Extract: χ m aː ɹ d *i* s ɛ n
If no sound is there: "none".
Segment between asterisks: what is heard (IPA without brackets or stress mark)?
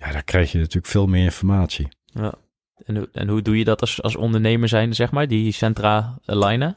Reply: i